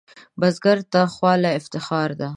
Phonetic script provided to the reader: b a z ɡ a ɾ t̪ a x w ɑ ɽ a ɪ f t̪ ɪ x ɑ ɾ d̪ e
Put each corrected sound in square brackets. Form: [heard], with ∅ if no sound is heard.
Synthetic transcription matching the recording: b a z ɡ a ɾ t̪ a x w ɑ [l] a ɪ f t̪ ɪ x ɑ ɾ d̪ [a]